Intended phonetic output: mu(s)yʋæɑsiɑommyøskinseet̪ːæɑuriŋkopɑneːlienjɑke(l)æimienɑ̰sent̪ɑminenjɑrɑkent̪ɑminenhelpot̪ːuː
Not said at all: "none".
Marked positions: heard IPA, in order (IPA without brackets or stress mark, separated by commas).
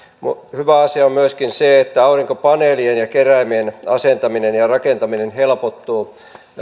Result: h, r